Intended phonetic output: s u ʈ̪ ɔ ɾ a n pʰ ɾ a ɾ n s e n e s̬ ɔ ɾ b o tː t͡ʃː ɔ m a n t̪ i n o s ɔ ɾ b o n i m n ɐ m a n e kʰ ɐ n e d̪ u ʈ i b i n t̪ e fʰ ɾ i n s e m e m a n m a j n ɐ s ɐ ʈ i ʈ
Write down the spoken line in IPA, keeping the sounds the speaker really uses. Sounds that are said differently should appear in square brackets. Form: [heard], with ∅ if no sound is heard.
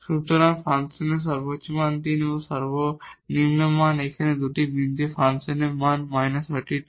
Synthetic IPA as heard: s u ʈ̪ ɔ ɾ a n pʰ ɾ a [∅] n s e n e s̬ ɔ ɾ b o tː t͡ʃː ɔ m a n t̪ i n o s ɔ ɾ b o n i m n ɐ m a n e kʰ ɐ n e d̪ u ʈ i b i n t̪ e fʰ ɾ [a] n s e [n] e m a n m a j n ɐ s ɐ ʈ i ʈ